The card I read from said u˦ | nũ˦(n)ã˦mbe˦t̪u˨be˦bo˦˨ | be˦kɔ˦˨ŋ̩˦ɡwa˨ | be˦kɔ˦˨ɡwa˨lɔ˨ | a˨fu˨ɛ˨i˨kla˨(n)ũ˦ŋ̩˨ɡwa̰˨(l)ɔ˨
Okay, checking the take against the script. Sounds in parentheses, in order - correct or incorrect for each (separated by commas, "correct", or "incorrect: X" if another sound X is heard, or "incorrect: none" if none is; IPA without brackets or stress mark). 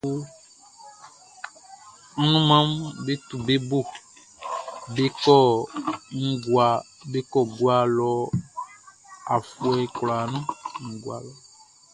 incorrect: m, correct, correct